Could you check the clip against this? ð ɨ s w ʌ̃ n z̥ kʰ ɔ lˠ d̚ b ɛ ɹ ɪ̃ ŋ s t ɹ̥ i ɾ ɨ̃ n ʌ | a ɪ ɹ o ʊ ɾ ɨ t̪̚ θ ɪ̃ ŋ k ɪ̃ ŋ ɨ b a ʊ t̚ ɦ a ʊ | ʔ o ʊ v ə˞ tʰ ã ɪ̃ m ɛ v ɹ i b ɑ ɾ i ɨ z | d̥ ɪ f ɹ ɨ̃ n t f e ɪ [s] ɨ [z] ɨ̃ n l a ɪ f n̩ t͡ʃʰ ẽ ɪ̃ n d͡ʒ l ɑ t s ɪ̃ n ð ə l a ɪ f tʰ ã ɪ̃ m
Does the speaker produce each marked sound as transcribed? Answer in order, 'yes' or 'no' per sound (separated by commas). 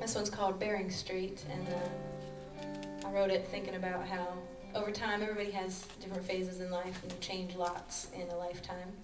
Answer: no, yes